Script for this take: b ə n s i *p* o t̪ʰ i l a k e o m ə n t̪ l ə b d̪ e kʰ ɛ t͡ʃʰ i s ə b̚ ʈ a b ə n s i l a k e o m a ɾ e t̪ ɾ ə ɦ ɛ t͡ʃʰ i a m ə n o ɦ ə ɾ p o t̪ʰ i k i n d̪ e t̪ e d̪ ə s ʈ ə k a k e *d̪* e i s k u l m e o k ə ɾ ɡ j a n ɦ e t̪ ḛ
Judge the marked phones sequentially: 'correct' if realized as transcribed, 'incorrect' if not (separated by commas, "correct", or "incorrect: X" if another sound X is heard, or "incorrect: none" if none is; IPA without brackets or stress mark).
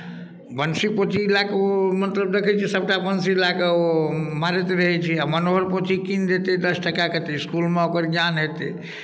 correct, incorrect: t̪